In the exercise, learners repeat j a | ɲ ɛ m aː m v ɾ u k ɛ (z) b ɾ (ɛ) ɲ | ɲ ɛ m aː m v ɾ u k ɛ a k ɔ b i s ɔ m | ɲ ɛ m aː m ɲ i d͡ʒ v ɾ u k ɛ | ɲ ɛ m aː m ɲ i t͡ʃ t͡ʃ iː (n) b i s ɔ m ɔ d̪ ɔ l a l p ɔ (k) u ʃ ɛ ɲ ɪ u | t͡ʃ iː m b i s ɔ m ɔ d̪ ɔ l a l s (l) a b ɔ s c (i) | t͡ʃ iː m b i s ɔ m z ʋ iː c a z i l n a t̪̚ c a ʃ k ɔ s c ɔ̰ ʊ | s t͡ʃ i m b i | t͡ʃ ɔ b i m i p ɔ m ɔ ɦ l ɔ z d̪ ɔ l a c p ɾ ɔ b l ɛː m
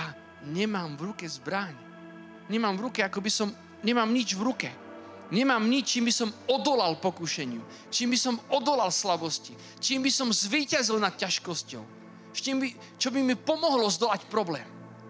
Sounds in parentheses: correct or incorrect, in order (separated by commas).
correct, incorrect, incorrect, correct, correct, correct